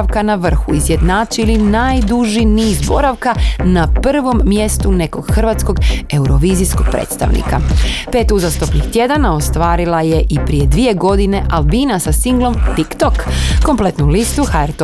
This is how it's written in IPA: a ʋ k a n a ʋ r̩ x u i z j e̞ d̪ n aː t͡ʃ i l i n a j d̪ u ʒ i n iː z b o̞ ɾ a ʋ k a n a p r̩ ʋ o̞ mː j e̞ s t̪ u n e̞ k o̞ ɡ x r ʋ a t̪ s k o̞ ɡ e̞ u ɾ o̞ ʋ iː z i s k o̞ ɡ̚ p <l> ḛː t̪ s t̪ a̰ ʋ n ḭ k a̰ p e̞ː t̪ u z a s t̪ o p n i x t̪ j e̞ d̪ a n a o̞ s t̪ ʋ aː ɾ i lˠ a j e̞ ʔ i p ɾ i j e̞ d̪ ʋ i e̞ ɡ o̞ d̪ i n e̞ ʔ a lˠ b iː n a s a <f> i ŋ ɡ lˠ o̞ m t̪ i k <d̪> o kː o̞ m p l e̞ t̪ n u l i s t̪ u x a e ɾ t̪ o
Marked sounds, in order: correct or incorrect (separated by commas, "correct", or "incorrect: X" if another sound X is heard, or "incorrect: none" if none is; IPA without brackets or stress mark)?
incorrect: ɾ, incorrect: s, incorrect: t̪